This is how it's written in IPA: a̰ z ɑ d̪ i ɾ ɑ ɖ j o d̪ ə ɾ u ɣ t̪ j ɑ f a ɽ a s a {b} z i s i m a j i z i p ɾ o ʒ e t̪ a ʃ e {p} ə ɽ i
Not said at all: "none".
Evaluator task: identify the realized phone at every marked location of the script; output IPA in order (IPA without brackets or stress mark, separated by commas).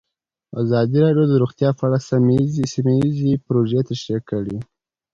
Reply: m, k